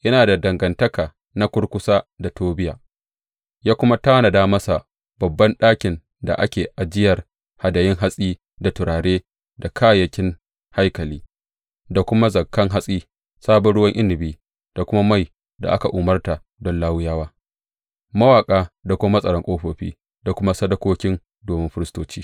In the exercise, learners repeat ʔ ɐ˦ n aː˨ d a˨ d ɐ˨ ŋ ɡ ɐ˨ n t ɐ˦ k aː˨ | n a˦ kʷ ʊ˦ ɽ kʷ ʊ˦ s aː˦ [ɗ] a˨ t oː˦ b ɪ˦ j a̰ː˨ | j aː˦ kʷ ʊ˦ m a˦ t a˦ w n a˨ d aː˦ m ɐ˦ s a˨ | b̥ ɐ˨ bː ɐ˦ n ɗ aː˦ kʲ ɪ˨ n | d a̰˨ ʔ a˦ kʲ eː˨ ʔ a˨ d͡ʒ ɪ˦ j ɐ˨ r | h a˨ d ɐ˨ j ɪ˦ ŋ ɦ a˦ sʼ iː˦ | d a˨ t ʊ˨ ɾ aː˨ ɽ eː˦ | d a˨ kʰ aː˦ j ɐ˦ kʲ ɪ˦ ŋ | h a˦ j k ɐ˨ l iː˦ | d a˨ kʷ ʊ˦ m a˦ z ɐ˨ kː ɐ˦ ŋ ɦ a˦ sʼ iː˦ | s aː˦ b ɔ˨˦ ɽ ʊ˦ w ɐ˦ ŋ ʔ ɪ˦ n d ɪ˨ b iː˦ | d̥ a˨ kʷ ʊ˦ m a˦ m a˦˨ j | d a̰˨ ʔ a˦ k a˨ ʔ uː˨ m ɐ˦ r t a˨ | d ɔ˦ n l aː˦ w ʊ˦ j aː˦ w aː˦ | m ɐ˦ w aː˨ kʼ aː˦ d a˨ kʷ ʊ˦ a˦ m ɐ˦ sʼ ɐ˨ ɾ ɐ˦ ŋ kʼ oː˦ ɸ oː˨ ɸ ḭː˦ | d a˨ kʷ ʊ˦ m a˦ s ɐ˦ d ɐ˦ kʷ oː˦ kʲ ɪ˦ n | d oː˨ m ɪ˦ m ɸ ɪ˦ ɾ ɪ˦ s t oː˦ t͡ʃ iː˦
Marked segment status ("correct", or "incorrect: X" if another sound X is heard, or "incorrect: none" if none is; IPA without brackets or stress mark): incorrect: d